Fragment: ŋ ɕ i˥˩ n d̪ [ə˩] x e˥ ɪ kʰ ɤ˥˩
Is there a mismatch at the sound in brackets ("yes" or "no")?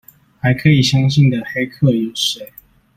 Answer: no